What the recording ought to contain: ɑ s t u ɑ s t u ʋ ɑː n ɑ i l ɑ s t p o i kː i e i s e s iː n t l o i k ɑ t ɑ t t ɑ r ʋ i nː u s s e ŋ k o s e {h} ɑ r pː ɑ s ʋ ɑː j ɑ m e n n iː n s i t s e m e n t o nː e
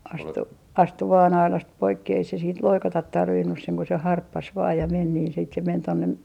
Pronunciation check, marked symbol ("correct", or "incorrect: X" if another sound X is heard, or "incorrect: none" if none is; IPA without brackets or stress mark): correct